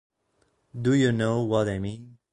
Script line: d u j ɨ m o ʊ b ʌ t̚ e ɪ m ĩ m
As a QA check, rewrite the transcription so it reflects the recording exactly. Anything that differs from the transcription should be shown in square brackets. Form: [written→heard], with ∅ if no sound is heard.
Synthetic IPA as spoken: d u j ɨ [m→n] o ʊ [b→w] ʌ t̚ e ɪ m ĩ [m→n]